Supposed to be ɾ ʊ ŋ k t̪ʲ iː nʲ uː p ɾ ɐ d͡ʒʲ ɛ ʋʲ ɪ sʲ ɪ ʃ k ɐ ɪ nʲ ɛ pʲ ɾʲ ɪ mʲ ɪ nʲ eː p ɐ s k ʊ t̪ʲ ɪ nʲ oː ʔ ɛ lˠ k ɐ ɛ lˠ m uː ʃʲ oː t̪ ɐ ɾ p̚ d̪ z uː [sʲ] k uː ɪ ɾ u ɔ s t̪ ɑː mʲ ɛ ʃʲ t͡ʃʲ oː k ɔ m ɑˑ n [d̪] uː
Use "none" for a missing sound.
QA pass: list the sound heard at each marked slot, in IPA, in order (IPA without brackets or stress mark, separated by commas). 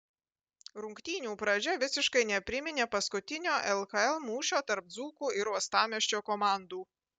none, d̪